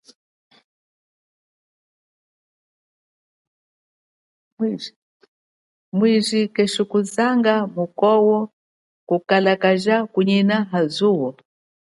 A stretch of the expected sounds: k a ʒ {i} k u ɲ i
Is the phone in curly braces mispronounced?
yes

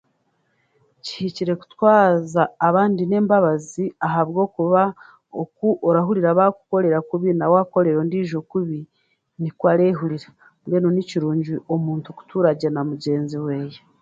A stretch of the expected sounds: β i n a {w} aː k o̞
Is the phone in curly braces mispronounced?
no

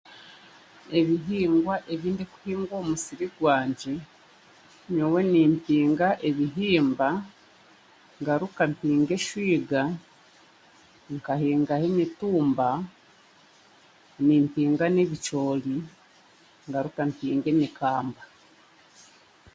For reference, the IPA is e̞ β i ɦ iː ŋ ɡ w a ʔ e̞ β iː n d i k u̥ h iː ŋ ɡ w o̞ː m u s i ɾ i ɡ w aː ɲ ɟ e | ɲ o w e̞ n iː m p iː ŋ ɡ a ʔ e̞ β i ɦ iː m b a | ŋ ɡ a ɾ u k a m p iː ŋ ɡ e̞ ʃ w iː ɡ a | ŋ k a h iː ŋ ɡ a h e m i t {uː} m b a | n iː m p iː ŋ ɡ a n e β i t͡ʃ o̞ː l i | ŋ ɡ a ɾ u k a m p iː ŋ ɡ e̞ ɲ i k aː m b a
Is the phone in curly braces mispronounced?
no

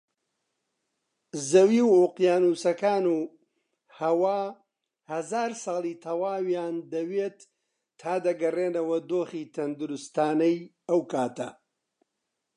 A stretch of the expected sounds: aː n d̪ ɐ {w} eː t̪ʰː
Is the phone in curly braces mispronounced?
no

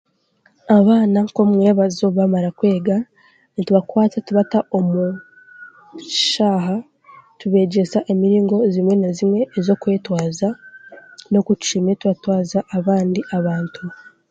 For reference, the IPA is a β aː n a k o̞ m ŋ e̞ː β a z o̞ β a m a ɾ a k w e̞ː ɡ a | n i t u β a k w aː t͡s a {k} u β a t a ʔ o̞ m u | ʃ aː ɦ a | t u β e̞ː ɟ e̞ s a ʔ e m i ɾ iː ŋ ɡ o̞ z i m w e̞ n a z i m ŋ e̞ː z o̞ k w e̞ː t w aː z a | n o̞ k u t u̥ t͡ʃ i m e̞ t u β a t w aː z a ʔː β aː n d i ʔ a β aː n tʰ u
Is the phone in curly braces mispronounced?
yes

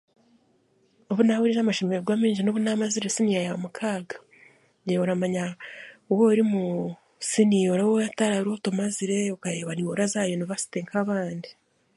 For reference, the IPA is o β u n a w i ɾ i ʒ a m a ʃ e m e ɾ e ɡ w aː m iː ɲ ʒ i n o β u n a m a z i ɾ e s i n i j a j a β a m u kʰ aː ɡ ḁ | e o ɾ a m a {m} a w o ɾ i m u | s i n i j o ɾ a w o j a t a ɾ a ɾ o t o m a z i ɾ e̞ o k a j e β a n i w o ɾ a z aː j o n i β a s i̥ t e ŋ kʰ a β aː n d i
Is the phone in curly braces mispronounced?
yes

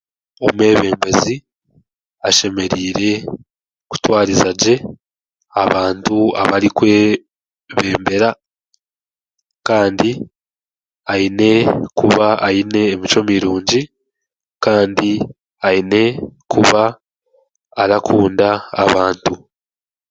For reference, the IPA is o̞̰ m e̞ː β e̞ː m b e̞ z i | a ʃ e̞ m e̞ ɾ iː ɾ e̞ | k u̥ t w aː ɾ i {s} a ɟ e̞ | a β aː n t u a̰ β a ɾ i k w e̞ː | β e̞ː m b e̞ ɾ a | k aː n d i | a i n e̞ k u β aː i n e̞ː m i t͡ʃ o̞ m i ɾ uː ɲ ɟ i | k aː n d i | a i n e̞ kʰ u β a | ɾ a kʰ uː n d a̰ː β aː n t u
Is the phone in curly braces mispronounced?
yes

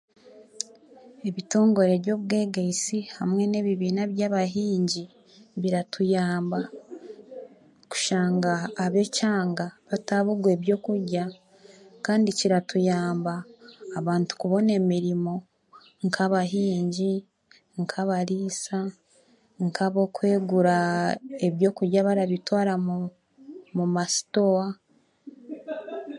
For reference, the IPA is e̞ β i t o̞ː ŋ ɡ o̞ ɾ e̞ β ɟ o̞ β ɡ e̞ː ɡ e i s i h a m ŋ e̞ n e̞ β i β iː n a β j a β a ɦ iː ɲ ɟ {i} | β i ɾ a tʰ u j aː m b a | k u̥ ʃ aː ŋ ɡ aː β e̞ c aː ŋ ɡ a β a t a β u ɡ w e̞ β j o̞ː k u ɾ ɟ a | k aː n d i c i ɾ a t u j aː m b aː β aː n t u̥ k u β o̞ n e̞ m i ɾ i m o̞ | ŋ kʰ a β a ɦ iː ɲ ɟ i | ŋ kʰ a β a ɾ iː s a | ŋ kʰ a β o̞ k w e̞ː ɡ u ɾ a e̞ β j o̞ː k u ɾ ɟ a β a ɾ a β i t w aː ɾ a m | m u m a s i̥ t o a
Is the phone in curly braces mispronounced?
no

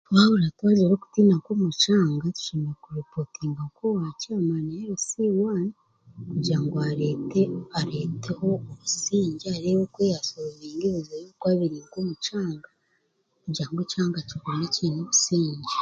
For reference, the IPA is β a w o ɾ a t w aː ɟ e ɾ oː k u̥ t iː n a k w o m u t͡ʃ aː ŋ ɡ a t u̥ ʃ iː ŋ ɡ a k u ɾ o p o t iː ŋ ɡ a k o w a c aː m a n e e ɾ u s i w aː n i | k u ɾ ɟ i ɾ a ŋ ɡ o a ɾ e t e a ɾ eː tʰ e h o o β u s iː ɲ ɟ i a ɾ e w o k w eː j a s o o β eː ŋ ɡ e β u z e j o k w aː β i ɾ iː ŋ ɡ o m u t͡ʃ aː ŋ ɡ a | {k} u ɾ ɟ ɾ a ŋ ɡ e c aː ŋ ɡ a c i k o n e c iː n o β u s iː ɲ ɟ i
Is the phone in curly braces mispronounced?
no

